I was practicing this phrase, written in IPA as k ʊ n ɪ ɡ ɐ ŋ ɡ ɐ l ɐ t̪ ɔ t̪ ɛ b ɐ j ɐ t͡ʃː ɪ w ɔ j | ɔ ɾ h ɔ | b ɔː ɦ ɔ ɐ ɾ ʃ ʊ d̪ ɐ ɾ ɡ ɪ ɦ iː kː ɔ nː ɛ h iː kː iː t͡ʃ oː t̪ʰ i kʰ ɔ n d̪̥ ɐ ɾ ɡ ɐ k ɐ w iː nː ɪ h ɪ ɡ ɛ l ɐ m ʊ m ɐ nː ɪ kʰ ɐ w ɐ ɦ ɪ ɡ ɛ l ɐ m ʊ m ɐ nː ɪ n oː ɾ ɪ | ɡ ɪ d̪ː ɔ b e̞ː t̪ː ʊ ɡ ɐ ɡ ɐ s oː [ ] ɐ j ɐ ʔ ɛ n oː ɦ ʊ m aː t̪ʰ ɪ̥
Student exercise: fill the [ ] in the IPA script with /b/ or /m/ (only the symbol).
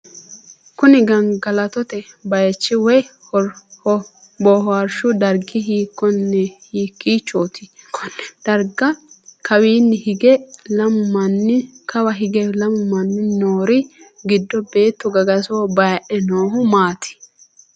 b